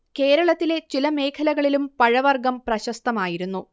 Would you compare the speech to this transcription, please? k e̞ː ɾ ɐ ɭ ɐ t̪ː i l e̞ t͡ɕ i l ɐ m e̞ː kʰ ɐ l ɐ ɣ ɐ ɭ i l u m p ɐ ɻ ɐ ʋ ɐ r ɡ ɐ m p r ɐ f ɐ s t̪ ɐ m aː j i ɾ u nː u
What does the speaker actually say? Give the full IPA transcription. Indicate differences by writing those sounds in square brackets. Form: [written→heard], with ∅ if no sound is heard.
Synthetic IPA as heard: k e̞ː ɾ ɐ ɭ ɐ t̪ː i l e̞ t͡ɕ i l ɐ m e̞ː kʰ ɐ l ɐ ɣ ɐ ɭ i l u m p ɐ ɻ ɐ ʋ ɐ r ɡ ɐ m p r ɐ [f→ɕ] ɐ s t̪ ɐ m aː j i ɾ u nː u